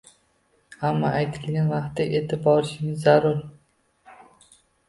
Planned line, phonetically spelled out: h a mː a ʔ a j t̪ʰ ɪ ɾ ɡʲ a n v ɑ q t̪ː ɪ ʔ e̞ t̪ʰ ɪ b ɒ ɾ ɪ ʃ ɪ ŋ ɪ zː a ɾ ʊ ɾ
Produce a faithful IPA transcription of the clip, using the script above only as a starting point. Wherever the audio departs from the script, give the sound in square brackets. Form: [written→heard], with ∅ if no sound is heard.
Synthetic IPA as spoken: h a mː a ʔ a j t̪ʰ ɪ [ɾ→l] ɡʲ a n v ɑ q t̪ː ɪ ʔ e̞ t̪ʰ ɪ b ɒ ɾ ɪ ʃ ɪ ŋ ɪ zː a ɾ ʊ ɾ